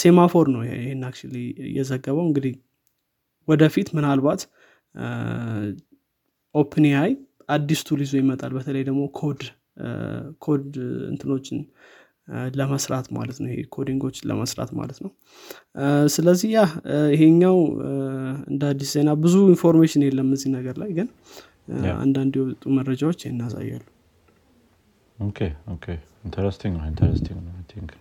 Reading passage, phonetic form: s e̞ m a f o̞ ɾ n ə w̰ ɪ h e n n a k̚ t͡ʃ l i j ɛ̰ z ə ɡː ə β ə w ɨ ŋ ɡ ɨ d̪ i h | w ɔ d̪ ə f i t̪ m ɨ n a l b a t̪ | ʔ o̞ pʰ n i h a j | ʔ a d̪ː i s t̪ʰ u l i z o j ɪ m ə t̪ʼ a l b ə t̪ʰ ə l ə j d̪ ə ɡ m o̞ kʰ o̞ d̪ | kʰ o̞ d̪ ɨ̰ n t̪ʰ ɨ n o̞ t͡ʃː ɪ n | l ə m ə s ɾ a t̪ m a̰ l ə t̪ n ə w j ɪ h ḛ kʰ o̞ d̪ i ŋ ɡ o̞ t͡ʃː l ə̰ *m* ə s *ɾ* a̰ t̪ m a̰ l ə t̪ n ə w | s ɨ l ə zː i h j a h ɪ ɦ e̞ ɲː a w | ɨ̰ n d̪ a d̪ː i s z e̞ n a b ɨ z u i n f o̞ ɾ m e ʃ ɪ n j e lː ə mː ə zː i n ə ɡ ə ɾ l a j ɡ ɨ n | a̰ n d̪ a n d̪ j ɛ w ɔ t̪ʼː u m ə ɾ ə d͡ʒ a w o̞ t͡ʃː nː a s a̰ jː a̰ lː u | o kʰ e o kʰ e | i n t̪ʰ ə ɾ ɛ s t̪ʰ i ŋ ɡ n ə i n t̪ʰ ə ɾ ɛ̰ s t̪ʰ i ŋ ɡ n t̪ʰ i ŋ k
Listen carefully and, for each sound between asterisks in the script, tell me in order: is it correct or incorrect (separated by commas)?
correct, correct